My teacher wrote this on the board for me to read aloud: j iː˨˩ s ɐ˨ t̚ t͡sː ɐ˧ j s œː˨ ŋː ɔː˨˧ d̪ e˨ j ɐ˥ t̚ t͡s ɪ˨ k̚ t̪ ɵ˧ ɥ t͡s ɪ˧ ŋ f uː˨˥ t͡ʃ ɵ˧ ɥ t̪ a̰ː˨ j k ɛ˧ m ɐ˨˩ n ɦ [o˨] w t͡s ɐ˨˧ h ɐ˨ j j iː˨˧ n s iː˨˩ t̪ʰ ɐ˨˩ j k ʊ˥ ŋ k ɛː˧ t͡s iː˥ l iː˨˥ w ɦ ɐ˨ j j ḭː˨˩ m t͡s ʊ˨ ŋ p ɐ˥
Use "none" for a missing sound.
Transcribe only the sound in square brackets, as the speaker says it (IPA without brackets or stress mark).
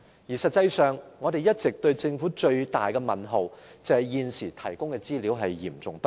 o˨